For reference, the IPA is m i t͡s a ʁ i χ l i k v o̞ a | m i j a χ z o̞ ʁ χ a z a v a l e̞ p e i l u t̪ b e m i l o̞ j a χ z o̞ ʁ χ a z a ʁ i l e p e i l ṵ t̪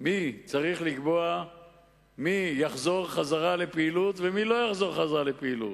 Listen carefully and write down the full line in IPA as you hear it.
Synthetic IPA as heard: m i t͡s a ʁ i χ l i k b o̞ a | m i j a χ z o̞ ʁ χ a z a ʁ a l e̞ p e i l u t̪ v e m i l o̞ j a χ z o̞ ʁ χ a z a ʁ a l e p e i l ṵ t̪